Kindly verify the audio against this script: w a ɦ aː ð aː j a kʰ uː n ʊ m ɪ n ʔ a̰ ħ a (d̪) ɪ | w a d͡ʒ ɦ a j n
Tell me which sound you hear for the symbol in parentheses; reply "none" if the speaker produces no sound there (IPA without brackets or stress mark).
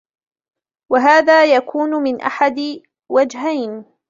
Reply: d̪